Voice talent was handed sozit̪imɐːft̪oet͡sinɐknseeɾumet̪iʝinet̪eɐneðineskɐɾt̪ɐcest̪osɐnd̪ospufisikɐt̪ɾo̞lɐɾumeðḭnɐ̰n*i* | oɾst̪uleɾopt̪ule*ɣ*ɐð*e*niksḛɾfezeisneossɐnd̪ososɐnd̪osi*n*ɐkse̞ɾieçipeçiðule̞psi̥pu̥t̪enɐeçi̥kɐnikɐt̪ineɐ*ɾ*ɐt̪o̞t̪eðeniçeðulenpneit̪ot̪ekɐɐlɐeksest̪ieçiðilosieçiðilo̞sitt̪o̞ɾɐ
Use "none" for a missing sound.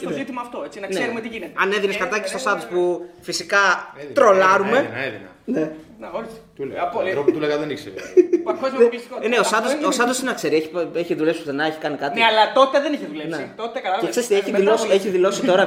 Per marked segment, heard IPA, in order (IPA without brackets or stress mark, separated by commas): e, ɣ, e, n, l